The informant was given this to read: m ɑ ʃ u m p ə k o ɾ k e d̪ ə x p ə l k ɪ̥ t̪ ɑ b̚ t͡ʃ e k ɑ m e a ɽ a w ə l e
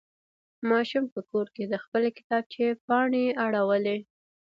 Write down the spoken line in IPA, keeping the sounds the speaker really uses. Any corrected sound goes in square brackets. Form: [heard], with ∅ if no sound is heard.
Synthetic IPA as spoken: m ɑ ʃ u m p ə k o ɾ k e d̪ ə x p ə l k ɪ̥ t̪ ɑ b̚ t͡ʃ e [p] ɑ [ɳ] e a ɽ a w ə l e